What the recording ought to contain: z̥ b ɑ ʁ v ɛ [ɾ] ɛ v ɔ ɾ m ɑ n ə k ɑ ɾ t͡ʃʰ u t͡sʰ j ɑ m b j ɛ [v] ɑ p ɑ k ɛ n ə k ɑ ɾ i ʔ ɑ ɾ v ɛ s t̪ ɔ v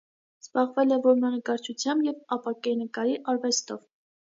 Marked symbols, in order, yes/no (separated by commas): no, yes